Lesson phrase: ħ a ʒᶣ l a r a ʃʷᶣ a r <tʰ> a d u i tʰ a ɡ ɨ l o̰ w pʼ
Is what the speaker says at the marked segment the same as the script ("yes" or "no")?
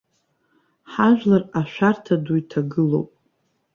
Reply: yes